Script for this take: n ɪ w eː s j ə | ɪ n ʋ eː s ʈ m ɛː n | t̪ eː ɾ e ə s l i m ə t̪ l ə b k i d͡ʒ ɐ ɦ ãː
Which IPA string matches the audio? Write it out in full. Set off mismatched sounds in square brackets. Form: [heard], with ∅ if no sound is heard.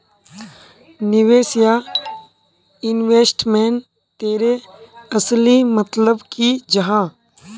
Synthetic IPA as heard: n ɪ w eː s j [a] | ɪ n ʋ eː s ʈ m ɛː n | t̪ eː ɾ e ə s l i m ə t̪ l ə b k i d͡ʒ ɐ ɦ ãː